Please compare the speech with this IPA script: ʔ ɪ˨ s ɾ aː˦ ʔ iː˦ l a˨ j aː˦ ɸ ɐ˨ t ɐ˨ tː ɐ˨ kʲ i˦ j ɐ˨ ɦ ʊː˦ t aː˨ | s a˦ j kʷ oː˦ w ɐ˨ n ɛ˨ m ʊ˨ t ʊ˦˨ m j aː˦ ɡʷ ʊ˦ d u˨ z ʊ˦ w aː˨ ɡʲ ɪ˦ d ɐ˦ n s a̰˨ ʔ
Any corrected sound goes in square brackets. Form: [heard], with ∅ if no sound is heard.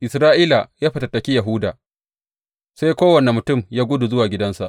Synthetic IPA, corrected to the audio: ʔ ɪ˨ s ɾ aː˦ ʔ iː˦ l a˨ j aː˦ ɸ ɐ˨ t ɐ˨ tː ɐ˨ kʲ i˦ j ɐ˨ ɦ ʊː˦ [d] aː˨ | s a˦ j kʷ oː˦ w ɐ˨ n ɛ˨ m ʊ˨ t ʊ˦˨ m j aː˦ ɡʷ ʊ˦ d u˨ z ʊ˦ w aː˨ ɡʲ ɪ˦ d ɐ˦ n s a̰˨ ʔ